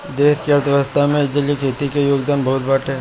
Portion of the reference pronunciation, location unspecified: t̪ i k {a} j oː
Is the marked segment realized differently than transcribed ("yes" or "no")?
yes